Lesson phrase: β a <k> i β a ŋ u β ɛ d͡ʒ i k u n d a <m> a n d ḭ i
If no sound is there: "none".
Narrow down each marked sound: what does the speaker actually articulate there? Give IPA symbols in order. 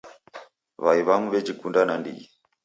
none, n

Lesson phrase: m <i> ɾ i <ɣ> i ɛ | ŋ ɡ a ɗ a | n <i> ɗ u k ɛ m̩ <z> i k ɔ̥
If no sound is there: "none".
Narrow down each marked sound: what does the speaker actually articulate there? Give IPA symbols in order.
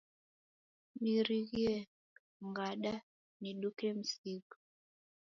i, ɣ, i, s

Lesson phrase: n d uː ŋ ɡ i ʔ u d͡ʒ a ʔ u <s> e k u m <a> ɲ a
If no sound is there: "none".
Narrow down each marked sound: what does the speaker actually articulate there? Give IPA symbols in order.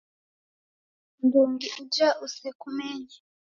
s, e

